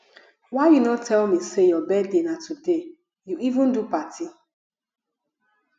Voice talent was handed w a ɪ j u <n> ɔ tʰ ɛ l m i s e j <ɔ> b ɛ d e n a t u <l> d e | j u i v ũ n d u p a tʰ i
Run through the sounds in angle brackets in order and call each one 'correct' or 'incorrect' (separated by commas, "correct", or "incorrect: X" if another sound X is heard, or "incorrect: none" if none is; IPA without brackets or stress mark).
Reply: correct, correct, incorrect: none